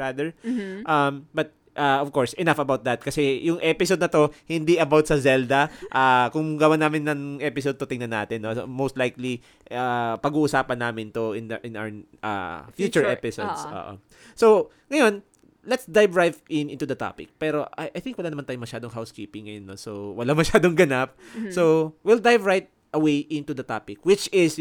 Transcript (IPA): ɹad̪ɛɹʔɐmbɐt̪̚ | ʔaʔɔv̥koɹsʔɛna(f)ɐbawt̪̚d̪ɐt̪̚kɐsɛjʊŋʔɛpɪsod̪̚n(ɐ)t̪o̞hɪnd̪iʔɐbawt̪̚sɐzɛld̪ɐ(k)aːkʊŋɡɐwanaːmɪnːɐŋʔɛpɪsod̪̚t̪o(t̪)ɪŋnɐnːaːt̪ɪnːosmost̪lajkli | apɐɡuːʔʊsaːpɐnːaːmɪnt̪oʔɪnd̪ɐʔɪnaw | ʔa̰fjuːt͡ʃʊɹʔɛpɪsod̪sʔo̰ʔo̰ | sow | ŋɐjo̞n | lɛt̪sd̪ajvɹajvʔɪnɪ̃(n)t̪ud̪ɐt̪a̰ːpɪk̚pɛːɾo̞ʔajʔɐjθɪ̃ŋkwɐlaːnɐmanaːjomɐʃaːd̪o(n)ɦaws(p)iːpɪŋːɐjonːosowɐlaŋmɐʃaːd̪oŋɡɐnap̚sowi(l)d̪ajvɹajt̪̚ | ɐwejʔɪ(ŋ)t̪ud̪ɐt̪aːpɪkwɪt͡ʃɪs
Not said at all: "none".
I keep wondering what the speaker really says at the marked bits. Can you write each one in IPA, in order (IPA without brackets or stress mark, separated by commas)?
f, ɐ, ʔ, t̪, n, ŋ, k, l, n